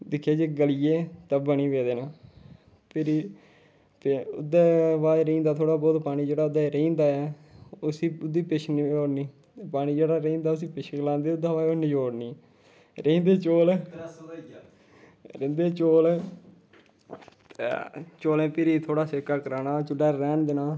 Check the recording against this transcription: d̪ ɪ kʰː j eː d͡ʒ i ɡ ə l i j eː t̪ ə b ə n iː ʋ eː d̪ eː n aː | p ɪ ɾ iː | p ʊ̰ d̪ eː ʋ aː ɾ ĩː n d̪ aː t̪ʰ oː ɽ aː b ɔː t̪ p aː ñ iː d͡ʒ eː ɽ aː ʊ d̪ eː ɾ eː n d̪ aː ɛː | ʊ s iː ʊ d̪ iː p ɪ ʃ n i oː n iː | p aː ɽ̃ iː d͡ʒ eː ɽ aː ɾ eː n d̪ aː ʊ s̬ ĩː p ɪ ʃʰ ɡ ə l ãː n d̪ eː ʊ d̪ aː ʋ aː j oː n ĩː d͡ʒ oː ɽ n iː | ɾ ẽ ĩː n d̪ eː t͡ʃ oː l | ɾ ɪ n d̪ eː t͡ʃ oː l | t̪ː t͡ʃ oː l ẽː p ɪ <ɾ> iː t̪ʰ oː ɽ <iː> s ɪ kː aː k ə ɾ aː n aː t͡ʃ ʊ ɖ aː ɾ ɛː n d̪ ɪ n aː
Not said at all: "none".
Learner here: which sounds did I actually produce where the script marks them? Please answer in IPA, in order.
ɾ, aː

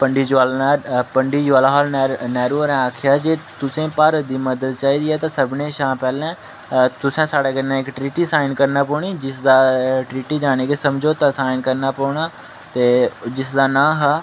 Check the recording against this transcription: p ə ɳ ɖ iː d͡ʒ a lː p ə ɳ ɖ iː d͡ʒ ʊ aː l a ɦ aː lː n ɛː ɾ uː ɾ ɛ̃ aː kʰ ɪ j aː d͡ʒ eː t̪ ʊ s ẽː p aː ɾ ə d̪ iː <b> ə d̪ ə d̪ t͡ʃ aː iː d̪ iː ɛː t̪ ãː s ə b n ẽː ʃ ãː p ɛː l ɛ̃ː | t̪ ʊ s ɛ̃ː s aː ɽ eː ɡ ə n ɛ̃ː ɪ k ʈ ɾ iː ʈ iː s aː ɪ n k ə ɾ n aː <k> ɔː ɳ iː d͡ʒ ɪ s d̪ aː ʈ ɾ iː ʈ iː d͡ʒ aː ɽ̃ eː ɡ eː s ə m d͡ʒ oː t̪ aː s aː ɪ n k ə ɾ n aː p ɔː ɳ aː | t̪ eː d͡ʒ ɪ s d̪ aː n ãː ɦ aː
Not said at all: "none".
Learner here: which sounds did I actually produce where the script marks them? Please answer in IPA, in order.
m, p

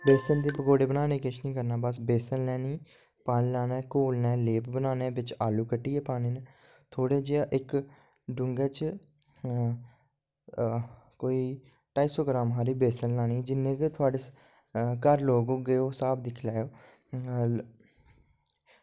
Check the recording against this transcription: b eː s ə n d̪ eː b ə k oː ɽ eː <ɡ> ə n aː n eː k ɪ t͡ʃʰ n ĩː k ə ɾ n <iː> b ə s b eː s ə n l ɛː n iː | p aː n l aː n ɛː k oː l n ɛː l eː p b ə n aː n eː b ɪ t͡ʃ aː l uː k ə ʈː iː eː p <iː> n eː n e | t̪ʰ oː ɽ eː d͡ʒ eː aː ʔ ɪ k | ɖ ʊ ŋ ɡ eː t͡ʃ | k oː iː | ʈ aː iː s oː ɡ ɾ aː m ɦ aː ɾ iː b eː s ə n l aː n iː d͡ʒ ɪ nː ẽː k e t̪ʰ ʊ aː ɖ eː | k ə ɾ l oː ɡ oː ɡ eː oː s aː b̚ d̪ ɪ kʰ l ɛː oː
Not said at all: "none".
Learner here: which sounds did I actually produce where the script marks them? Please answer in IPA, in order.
b, aː, aː

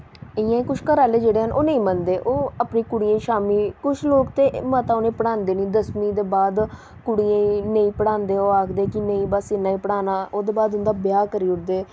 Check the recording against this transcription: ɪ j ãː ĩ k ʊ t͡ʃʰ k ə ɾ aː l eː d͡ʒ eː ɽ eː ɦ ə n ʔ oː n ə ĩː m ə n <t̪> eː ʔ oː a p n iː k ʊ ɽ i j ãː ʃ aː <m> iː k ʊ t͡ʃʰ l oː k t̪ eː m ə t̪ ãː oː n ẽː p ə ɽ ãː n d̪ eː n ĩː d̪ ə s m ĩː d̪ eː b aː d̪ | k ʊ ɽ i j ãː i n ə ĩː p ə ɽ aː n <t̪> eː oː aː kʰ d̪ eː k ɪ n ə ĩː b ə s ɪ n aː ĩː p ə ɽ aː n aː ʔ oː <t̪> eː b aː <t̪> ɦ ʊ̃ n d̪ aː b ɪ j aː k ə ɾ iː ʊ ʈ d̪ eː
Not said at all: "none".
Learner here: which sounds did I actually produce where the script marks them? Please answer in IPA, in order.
d̪, m, d̪, d̪, d̪

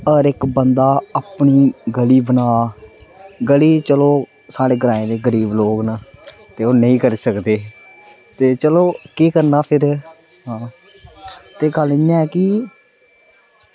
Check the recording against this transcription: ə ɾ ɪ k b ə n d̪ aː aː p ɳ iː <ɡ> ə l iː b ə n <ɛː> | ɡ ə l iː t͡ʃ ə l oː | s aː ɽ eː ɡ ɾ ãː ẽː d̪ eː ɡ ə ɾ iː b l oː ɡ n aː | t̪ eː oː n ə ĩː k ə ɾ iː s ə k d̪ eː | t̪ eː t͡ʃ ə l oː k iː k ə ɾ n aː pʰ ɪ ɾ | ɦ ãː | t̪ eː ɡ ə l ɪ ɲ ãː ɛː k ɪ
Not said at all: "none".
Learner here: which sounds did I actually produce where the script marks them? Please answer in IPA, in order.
ɡ, aː

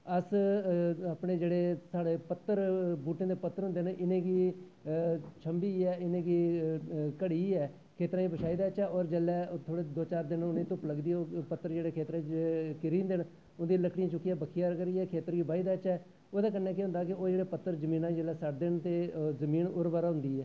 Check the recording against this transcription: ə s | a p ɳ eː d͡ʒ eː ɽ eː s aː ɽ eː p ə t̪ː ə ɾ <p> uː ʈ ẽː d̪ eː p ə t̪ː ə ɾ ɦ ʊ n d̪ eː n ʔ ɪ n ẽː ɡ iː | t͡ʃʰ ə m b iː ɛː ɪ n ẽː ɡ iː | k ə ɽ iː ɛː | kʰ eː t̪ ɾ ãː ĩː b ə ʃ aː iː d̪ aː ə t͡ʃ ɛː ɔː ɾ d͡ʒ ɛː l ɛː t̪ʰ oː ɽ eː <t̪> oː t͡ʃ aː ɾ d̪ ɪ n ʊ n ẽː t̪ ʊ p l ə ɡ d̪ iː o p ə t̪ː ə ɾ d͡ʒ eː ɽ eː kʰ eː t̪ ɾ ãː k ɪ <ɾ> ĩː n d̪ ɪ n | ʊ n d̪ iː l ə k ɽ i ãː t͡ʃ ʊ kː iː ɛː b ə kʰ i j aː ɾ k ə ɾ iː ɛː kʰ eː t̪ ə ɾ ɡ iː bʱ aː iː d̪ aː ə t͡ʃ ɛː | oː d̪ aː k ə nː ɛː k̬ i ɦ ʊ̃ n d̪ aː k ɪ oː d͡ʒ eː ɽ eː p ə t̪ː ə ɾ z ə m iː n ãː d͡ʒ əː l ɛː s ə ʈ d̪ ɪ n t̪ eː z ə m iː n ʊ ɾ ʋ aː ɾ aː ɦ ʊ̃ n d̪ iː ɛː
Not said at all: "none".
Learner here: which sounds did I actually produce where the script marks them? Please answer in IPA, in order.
b, d̪, ɾ

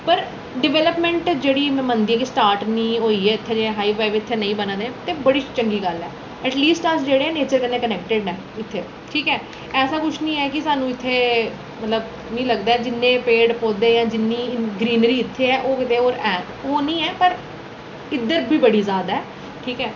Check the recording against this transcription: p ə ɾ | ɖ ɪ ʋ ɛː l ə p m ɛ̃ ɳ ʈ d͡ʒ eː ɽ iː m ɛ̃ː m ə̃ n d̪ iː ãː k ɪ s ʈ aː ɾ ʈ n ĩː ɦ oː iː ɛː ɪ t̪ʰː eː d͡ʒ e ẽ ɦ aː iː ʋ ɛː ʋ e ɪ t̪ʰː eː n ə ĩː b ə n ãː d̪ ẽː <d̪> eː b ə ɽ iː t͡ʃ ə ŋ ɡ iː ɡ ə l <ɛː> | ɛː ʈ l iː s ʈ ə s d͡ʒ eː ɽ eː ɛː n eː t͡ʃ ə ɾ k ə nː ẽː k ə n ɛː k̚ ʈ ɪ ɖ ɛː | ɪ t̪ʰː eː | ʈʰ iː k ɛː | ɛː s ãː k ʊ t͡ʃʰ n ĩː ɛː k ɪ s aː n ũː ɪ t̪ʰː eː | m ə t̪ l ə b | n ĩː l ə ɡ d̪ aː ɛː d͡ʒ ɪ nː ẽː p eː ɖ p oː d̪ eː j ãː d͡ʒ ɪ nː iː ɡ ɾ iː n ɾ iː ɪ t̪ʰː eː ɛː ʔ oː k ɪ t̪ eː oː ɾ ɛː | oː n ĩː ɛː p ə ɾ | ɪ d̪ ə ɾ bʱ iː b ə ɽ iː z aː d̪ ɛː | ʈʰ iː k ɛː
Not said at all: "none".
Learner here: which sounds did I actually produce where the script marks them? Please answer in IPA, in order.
t̪, ɛː

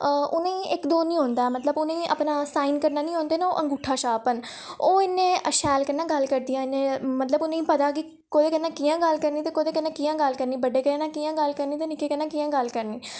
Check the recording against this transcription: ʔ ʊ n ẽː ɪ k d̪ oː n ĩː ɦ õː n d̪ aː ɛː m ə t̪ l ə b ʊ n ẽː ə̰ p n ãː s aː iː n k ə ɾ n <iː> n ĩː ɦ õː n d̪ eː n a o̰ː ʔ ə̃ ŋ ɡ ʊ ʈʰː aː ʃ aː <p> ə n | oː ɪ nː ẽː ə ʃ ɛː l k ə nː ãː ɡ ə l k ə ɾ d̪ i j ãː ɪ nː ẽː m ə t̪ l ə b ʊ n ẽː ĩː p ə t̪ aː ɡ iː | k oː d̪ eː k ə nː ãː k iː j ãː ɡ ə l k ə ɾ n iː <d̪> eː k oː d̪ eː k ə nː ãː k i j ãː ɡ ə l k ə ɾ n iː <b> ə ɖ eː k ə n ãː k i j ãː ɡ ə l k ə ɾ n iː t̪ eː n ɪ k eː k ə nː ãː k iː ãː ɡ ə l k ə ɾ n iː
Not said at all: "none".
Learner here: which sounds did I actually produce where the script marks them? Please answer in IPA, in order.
aː, p, t̪, b

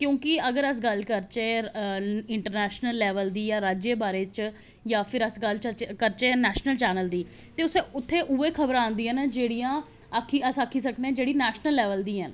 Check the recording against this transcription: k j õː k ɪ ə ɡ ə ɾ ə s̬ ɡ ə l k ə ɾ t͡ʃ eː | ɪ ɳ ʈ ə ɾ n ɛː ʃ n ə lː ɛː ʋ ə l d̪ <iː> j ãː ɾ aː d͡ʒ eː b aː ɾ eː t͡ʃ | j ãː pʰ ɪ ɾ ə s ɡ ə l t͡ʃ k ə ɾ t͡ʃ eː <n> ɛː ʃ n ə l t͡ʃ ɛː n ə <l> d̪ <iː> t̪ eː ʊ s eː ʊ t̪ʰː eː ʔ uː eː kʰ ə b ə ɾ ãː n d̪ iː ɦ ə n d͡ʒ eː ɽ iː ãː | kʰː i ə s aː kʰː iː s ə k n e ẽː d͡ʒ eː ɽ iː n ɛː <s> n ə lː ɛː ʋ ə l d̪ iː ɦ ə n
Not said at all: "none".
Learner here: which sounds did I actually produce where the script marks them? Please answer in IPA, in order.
iː, n, l, iː, ʃ

